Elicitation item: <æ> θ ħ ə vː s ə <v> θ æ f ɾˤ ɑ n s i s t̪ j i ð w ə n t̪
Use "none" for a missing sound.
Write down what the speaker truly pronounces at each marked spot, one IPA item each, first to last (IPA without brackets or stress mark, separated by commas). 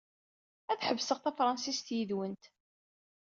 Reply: æ, ʁ